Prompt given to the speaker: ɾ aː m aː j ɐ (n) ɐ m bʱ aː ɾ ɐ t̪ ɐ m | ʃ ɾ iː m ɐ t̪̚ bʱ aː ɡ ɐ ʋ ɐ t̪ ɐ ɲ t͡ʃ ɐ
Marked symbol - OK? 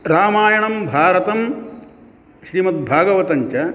no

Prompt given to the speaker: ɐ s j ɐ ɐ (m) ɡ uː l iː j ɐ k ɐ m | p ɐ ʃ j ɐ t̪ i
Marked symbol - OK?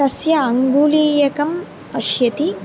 no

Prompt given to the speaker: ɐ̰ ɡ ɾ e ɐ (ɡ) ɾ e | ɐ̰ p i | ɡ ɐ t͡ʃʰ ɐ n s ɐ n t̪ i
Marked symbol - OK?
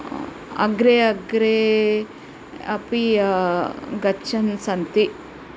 yes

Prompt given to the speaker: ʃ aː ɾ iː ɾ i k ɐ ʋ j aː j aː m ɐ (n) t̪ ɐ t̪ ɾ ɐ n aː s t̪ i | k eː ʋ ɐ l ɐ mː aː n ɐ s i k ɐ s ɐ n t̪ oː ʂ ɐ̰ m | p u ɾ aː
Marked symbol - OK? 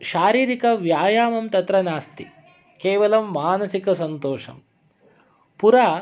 no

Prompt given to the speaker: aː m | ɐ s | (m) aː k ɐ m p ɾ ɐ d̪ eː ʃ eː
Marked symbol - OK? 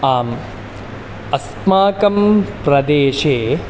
yes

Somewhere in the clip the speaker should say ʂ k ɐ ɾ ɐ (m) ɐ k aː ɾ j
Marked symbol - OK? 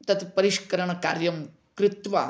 no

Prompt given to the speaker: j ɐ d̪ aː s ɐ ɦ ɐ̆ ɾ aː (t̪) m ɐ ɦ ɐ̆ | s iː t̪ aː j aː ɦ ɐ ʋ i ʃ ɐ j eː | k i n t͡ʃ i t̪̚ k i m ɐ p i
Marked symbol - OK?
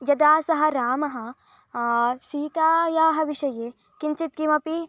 no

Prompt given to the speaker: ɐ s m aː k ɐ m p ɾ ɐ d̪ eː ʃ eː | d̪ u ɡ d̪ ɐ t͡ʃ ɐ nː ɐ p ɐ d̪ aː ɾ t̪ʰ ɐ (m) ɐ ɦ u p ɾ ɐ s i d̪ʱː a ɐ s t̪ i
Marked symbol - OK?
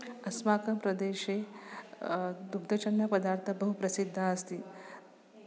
no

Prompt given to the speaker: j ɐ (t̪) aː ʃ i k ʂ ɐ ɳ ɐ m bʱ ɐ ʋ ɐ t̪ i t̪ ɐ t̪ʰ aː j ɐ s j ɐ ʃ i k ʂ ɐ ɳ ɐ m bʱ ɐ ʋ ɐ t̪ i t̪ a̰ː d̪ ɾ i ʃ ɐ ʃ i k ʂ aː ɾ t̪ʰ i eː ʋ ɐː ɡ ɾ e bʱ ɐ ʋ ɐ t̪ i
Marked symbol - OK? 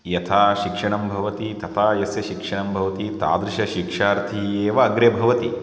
no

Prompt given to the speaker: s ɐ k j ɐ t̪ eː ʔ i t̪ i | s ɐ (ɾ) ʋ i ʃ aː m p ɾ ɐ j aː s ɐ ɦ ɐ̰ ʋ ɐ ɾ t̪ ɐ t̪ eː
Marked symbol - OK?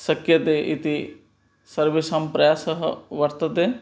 yes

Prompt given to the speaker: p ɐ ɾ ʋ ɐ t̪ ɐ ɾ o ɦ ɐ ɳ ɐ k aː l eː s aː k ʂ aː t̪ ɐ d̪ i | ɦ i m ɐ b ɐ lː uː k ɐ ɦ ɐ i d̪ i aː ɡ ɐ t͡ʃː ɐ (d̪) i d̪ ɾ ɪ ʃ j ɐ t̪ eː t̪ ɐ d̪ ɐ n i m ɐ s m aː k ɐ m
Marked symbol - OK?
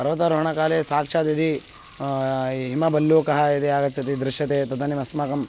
no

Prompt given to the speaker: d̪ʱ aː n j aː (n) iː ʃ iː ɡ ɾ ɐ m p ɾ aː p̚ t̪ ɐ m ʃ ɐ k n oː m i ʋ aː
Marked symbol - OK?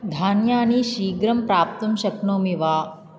yes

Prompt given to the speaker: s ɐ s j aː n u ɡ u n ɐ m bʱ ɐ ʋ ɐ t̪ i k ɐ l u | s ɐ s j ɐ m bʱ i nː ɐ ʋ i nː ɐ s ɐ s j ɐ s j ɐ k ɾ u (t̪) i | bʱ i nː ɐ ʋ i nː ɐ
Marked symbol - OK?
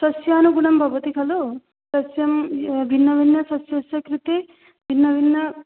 yes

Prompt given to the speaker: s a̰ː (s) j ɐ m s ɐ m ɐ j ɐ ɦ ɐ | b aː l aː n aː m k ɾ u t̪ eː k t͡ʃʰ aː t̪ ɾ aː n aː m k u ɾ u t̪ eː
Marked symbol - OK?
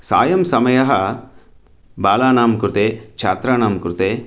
no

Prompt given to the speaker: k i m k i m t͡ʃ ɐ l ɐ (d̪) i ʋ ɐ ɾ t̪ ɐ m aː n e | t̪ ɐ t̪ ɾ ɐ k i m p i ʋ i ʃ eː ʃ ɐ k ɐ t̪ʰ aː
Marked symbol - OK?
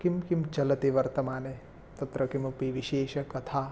no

